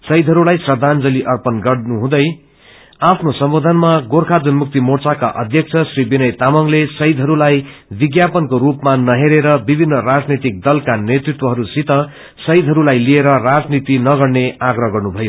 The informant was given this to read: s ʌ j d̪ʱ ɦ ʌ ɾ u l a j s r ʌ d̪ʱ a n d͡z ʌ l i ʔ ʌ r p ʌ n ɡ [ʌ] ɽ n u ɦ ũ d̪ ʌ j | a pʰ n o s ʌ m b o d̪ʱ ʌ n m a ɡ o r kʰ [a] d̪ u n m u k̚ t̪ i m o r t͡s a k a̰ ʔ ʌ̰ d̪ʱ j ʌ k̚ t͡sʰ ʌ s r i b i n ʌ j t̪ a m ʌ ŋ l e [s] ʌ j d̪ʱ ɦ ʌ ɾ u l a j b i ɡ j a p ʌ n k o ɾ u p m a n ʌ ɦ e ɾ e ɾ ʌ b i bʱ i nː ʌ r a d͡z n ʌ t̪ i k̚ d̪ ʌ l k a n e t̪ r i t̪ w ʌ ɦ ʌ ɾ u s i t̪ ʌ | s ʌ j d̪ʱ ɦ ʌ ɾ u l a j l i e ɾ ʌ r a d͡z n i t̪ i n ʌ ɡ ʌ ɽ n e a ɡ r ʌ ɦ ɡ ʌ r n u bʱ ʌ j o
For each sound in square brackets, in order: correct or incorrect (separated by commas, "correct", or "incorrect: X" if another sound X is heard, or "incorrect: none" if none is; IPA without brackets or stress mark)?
correct, correct, correct